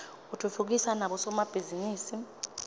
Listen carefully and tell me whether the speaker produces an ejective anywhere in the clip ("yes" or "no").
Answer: no